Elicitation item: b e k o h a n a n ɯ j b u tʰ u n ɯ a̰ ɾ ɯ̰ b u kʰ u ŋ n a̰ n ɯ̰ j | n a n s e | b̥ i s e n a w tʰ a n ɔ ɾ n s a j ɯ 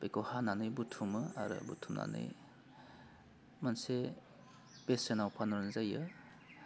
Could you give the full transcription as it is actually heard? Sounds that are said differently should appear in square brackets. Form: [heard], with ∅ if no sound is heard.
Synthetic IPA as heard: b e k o h a n a n ɯ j b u tʰ u [m] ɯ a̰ ɾ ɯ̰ b u [tʰ] u [m] n a̰ n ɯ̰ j | [m] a n s e | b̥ [e] s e n a w [pʰ] a n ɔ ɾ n [z] a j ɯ